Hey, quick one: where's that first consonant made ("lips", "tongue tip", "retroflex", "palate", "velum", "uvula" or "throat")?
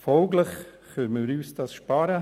lips